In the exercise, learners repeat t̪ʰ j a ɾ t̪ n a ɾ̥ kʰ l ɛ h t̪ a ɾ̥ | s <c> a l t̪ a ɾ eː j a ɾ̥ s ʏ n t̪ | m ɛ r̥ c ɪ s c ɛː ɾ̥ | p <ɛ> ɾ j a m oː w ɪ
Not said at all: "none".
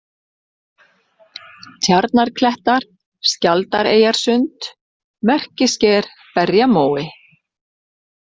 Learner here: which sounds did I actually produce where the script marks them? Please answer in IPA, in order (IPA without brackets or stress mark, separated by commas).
c, ɛ